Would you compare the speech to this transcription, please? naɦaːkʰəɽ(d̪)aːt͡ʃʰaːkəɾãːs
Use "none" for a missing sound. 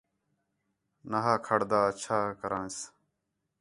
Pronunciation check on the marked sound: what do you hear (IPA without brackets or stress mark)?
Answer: d̪